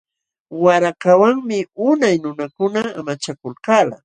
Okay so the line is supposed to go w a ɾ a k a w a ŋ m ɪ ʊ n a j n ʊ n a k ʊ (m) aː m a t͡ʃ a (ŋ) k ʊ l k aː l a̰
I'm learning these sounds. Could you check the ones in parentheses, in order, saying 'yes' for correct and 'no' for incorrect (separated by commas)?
no, no